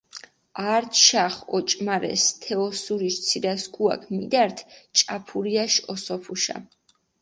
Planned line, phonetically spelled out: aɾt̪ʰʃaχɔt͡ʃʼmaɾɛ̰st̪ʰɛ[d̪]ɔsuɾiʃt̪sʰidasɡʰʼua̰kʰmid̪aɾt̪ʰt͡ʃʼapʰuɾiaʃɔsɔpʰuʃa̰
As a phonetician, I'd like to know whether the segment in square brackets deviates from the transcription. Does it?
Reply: yes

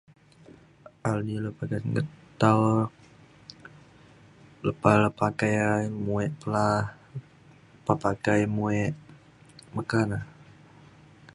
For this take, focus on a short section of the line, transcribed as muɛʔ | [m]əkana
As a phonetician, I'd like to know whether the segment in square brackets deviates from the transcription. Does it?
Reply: no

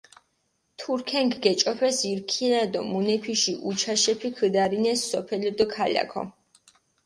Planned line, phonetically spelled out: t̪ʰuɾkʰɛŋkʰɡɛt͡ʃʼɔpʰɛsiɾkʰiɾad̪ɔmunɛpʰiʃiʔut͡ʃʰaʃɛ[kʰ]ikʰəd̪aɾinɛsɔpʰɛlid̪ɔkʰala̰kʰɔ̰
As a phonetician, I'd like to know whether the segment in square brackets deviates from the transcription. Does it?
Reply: yes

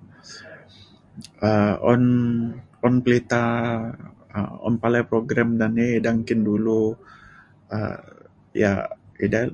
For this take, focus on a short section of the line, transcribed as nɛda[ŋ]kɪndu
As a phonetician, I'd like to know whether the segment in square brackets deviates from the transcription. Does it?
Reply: no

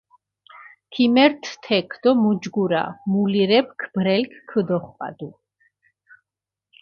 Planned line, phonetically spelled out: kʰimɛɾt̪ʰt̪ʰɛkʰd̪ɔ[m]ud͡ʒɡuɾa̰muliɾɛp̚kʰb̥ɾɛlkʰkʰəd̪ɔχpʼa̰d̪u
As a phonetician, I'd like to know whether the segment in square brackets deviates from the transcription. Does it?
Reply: no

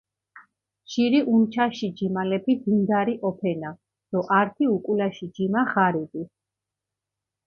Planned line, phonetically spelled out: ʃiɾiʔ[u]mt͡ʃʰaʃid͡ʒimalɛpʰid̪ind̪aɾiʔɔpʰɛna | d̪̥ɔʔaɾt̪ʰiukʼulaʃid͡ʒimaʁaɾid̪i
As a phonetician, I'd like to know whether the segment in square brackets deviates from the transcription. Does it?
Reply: no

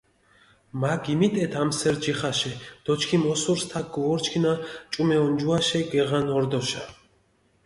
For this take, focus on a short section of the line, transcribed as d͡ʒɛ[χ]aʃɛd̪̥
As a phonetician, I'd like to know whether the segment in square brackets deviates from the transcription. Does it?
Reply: no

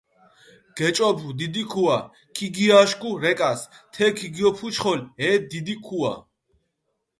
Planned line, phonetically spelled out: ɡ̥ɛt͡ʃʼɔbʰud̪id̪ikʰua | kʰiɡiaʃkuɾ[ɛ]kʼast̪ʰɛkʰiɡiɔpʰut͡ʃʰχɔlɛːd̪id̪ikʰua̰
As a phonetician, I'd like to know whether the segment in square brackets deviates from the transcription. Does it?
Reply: no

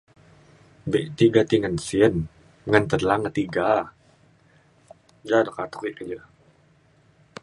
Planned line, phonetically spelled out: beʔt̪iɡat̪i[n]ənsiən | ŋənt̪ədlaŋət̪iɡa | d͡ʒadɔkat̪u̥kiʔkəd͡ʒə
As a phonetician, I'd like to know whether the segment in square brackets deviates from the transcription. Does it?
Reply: yes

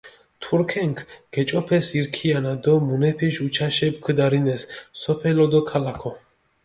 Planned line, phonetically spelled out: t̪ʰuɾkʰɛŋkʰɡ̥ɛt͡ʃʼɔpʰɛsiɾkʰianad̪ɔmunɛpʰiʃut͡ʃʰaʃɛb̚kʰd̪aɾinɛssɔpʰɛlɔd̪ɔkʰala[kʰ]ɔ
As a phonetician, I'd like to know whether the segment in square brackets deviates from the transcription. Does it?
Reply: no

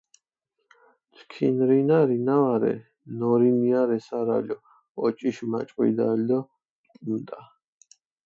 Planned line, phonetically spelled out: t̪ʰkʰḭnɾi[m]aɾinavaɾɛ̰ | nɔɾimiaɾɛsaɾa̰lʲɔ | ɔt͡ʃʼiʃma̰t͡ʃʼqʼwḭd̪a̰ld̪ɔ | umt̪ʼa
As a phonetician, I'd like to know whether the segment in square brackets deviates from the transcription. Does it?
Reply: yes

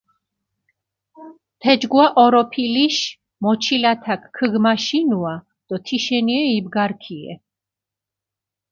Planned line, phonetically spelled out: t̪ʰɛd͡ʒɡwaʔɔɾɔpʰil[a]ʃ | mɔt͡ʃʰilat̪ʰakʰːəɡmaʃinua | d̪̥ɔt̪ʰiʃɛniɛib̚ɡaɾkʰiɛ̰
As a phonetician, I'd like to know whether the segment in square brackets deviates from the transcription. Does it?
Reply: yes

